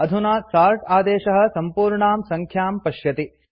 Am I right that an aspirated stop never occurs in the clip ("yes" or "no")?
no